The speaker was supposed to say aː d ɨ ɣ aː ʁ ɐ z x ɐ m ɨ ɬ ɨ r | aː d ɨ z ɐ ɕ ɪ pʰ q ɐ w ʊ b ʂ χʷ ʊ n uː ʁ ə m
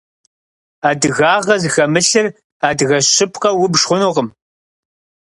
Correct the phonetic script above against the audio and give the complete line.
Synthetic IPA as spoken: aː d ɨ ɣ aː ʁ ɐ z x ɐ m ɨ ɬ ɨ r | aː d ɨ ɣ ɐ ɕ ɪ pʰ q ɐ w ʊ b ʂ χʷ ʊ n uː ʁ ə m